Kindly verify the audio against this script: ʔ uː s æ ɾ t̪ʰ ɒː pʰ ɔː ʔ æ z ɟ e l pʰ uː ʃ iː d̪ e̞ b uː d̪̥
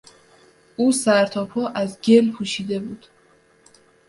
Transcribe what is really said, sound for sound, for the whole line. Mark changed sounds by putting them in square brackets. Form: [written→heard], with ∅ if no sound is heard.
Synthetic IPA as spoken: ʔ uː s æ ɾ t̪ʰ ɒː pʰ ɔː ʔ æ z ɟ e l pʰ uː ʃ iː d̪ e̞ b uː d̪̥